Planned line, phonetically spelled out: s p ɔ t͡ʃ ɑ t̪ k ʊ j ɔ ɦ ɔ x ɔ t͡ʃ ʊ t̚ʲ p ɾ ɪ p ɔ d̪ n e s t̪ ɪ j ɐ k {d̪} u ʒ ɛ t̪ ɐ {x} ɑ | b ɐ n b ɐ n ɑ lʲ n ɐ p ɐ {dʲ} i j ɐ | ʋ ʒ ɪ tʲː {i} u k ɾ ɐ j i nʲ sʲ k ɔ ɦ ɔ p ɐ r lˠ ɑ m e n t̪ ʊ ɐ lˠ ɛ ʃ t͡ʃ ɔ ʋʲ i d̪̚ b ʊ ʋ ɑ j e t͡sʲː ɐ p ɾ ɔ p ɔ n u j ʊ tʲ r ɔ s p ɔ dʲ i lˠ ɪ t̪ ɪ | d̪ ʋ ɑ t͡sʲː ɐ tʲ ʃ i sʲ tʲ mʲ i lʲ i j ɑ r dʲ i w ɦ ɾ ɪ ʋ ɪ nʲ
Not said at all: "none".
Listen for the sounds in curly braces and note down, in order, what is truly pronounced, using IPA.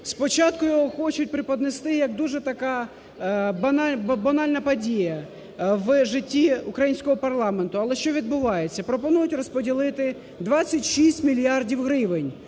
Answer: d̪, k, dʲ, i

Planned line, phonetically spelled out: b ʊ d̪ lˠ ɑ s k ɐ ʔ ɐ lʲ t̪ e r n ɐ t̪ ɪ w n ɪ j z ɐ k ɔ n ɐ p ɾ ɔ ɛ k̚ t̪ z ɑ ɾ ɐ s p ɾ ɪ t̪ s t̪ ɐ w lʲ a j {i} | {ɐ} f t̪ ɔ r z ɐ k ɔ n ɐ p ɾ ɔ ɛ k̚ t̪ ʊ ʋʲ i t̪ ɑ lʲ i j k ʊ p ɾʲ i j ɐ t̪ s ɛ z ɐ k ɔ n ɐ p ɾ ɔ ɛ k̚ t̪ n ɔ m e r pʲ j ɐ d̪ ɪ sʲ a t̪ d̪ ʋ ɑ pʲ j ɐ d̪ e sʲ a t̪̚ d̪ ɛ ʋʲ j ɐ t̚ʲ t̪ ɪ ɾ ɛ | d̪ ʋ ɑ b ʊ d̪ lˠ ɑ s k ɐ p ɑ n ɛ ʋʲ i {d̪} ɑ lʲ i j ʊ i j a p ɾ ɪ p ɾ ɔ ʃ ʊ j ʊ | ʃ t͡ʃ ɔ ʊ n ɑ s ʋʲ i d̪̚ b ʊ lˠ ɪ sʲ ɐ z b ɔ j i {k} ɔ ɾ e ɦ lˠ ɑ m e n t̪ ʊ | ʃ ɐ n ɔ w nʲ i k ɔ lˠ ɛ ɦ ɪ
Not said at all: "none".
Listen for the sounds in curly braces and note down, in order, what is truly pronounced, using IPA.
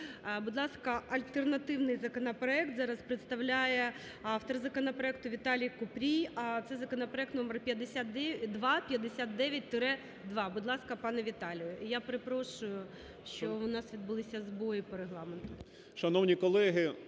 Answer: ɛ, ɑ, t̪, p

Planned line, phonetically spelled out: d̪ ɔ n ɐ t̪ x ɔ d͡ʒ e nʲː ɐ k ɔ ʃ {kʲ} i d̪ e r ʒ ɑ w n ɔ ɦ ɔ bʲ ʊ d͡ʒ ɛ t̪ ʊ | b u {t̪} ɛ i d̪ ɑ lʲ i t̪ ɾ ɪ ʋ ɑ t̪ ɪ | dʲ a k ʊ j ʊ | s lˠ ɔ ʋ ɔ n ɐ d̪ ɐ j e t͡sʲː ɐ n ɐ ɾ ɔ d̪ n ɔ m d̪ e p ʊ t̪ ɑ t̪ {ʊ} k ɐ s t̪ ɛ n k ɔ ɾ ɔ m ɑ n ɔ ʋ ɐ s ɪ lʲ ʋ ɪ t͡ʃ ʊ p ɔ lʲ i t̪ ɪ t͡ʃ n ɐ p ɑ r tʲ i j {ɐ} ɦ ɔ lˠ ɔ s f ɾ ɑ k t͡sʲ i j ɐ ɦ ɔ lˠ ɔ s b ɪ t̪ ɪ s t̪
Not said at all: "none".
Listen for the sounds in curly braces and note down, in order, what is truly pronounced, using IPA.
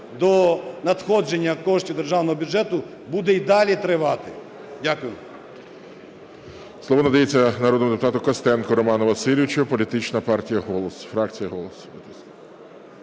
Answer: tʲ, d̪, ʊ, ɐ

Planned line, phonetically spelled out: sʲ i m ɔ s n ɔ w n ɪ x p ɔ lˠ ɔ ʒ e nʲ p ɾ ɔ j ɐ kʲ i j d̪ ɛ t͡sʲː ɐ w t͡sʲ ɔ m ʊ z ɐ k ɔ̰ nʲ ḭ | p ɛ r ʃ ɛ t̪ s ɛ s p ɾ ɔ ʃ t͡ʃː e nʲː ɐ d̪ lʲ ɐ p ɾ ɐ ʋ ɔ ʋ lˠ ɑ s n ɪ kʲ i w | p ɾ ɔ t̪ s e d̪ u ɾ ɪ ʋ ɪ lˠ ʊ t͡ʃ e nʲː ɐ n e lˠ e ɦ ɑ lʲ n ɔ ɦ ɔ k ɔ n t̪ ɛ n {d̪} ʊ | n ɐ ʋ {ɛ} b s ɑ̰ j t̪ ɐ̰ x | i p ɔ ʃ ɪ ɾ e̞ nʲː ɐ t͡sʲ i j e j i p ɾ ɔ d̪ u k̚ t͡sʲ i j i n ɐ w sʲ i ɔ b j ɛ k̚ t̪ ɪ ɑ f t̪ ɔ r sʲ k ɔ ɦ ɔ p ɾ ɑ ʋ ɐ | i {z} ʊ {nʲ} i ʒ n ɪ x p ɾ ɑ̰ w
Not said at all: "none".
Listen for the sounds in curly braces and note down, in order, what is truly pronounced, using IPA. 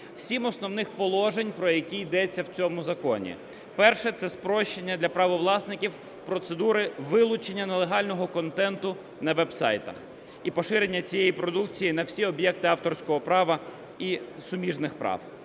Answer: t̪, ɛ, s, mʲ

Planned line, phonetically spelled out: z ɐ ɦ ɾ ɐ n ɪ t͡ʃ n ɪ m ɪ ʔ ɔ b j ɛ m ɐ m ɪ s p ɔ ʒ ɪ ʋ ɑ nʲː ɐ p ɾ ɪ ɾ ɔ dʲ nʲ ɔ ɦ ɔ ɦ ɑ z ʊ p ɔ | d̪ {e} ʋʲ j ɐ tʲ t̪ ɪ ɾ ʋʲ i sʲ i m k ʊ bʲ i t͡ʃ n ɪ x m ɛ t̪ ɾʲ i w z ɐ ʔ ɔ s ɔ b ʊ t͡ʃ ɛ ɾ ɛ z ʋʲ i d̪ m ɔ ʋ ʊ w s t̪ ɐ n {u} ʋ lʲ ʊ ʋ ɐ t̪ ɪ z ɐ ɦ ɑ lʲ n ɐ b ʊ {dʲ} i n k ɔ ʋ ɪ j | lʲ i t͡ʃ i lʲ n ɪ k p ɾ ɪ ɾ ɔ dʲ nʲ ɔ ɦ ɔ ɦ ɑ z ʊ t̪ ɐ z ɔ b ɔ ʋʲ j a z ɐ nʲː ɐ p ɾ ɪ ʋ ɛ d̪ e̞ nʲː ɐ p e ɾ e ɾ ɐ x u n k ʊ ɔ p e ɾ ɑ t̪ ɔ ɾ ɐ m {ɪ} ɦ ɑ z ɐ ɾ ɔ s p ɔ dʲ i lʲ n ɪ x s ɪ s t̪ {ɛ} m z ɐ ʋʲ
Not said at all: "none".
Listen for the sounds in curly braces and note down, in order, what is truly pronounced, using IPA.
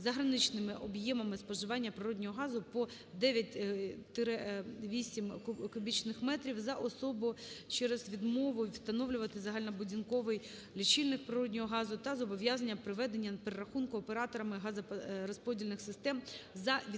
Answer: ɛ, ɔ, dʲ, ɪ, ɛ

